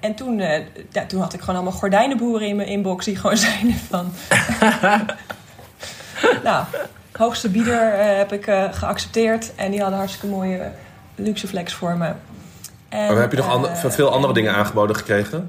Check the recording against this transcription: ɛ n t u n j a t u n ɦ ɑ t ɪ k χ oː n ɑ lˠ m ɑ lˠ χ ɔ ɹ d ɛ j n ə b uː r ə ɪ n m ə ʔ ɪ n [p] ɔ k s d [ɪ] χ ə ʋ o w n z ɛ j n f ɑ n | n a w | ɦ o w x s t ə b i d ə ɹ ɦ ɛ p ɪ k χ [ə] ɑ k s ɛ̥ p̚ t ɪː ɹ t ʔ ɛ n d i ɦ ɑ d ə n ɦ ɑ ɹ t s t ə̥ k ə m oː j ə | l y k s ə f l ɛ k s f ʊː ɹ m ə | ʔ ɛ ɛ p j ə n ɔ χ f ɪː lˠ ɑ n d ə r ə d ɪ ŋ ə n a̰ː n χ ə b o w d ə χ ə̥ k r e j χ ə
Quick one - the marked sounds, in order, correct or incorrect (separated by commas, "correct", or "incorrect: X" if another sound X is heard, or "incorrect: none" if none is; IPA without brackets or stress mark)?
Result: incorrect: b, incorrect: i, correct